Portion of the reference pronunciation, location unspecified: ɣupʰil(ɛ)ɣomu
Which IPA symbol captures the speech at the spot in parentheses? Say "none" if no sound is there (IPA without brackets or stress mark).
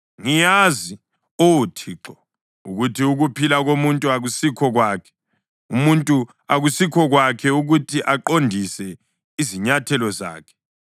a